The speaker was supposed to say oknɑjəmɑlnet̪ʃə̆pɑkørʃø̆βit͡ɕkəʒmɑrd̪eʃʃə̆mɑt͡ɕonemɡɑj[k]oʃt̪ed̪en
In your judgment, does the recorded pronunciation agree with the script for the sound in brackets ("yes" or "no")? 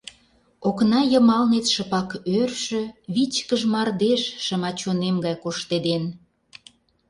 yes